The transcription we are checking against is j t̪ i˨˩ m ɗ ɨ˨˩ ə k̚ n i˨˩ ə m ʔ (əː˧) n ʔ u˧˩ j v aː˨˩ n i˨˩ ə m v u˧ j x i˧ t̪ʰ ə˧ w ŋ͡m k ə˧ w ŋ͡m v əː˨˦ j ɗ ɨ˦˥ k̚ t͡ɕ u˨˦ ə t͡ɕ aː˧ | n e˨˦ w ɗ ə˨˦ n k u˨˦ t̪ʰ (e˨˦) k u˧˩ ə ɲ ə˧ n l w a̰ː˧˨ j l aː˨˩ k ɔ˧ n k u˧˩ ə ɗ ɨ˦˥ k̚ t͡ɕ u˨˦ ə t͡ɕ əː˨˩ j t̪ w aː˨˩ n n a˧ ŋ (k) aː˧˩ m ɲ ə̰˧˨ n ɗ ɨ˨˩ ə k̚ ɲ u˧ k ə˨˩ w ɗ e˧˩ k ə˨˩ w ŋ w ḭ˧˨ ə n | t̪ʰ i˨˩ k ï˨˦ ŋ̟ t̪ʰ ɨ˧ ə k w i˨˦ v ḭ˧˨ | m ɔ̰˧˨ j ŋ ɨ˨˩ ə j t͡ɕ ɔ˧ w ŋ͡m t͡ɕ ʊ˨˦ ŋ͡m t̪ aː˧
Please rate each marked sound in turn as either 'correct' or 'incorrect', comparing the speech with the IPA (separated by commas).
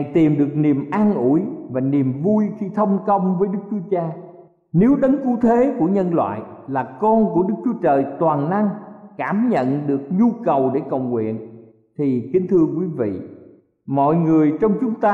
incorrect, correct, correct